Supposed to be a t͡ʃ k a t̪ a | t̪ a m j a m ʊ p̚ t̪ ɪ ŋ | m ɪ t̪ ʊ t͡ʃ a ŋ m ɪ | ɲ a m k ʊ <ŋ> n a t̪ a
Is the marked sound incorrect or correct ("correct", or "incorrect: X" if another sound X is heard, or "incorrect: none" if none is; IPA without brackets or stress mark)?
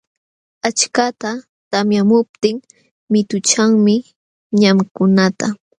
incorrect: none